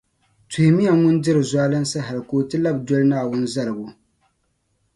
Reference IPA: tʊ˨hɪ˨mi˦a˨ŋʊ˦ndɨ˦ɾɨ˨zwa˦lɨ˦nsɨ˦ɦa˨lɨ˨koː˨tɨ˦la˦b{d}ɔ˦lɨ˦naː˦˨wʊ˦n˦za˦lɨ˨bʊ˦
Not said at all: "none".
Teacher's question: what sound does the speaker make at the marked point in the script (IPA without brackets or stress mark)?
d